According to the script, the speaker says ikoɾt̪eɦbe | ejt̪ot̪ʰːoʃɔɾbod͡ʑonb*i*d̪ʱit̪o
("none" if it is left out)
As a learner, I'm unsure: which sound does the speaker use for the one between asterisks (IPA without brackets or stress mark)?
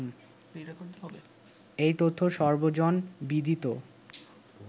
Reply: i